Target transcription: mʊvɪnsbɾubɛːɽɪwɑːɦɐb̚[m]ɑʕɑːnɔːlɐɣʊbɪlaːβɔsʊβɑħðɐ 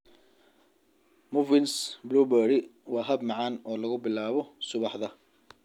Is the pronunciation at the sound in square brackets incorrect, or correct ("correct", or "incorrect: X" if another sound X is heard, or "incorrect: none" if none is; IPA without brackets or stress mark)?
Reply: correct